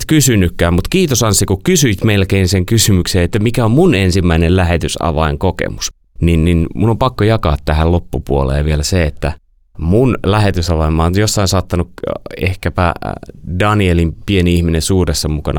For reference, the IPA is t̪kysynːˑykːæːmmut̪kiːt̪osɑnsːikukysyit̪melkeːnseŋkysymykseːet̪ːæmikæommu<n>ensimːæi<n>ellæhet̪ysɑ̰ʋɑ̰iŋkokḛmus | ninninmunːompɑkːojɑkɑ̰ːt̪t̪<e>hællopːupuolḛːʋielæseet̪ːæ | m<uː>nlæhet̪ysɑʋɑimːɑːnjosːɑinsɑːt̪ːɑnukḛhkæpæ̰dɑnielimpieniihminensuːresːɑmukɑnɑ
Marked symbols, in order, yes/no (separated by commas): yes, yes, no, no